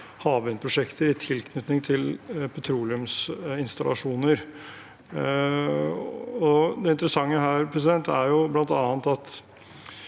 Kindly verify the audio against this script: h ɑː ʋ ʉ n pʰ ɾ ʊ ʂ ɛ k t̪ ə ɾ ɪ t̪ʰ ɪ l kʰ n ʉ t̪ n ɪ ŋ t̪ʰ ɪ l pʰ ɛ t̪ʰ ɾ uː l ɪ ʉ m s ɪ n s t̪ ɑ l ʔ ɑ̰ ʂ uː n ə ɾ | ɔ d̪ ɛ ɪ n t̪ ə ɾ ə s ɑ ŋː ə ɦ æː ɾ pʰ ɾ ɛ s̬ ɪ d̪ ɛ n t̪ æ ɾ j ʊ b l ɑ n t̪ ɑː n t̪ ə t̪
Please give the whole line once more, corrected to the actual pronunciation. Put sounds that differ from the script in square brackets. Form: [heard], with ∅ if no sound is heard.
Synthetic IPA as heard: h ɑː ʋ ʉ n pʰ ɾ ʊ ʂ ɛ k t̪ ə ɾ ɪ t̪ʰ ɪ l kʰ n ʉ t̪ n ɪ ŋ t̪ʰ ɪ l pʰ ɛ t̪ʰ ɾ uː l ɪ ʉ m s ɪ n s t̪ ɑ l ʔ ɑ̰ ʂ uː n ə ɾ | ɔ d̪ ɛ ɪ n t̪ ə ɾ ə s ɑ ŋː ə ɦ æː ɾ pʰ ɾ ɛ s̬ ɪ d̪ ɛ n t̪ æ ɾ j ʊ b l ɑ n t̪ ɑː n t̪ [ɑ] t̪